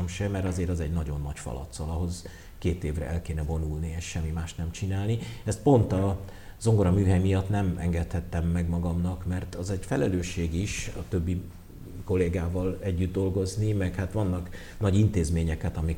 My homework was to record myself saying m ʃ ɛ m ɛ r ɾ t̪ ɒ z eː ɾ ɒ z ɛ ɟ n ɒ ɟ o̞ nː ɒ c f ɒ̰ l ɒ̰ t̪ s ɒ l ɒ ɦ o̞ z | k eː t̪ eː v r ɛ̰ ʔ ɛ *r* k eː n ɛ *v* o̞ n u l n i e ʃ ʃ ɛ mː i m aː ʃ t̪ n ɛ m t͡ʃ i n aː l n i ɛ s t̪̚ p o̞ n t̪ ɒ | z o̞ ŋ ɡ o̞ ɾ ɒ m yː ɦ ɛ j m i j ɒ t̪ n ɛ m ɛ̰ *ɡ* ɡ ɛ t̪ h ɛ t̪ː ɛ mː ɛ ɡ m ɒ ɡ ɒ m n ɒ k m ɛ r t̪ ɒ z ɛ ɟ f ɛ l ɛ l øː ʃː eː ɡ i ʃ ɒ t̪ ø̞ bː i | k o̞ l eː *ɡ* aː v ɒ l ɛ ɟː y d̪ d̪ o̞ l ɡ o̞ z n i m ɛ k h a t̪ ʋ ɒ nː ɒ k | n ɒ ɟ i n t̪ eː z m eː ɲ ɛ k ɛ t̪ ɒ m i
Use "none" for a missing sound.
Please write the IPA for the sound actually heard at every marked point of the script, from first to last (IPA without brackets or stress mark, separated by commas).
l, v, ŋ, ɡ